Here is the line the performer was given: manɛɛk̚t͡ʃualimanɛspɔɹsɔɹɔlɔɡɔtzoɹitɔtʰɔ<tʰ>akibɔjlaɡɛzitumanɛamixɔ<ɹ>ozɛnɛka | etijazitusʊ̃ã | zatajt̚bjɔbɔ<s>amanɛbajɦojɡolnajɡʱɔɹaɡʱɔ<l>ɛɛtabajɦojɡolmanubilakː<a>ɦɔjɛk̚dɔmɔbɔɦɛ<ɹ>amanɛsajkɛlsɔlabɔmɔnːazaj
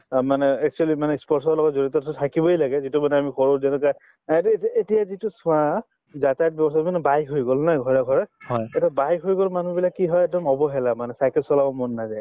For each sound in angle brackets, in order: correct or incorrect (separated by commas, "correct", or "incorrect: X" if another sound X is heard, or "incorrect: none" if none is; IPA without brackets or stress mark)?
correct, correct, correct, incorrect: ɹ, incorrect: i, incorrect: l